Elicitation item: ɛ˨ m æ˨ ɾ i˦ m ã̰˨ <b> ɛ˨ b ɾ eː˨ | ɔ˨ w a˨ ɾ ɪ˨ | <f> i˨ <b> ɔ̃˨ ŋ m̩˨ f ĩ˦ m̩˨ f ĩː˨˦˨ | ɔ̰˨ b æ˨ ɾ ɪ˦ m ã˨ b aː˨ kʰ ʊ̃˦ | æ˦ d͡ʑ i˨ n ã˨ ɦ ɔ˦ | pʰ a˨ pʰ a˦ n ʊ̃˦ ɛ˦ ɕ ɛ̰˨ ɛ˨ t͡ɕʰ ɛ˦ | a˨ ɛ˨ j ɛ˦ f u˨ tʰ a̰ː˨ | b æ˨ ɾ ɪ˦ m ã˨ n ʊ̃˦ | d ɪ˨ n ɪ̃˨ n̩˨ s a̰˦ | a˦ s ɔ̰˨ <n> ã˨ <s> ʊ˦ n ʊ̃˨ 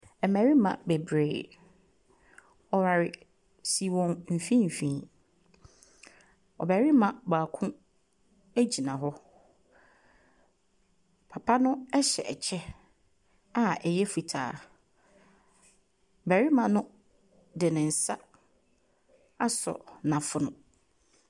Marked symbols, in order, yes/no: yes, no, no, yes, no

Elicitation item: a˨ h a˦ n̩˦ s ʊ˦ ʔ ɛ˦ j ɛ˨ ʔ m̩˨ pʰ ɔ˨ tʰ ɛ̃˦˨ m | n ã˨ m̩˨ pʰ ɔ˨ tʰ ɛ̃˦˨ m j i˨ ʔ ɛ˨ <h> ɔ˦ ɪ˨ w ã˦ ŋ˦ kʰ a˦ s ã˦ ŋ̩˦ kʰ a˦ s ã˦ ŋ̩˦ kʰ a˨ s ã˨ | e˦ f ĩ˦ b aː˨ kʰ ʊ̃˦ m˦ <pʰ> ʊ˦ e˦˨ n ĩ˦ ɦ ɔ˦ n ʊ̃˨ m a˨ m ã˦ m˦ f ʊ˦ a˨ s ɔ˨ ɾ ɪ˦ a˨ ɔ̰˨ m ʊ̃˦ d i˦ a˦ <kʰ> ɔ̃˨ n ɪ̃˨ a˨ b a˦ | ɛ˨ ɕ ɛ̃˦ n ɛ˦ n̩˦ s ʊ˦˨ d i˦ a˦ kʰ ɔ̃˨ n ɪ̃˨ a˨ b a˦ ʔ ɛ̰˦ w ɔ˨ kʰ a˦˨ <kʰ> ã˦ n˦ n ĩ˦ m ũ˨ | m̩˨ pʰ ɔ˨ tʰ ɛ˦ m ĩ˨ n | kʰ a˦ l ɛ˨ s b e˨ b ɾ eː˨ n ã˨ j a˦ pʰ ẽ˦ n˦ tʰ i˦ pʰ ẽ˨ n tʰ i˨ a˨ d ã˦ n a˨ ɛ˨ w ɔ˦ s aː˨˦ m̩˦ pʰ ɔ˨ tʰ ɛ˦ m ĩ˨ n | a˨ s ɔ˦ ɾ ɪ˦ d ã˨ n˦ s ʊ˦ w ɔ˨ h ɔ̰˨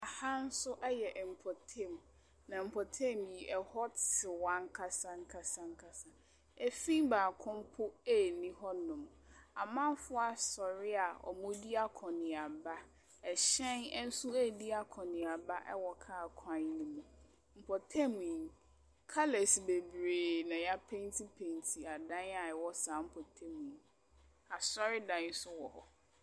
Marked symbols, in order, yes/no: yes, yes, yes, yes

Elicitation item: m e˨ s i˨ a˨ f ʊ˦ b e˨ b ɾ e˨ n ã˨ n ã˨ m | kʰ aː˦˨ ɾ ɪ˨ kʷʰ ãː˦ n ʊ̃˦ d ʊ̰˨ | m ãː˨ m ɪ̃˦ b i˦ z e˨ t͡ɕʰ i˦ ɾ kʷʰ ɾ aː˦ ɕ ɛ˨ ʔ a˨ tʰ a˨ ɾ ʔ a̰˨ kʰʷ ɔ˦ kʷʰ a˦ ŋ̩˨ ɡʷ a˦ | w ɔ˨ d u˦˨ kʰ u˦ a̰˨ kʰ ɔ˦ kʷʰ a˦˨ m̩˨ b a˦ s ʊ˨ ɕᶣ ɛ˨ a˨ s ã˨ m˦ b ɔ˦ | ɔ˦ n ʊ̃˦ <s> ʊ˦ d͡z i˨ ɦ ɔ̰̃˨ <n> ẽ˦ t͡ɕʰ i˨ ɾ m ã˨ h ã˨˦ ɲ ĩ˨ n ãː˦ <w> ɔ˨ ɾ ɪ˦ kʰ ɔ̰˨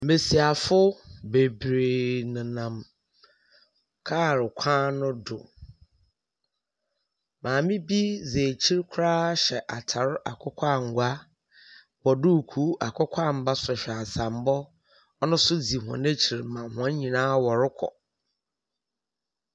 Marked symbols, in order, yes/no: yes, yes, yes

